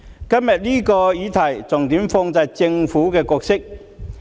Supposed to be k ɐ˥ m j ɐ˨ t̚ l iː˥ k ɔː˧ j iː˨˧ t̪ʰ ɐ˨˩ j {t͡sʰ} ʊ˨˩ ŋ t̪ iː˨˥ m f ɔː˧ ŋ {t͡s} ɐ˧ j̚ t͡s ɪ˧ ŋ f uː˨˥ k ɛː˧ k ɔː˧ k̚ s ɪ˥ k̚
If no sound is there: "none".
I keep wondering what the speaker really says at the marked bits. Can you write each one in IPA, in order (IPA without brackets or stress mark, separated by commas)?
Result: t͡s, t͡s